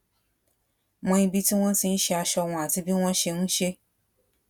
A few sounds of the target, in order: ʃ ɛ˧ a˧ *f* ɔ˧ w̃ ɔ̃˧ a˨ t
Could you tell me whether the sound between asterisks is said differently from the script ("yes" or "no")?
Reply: yes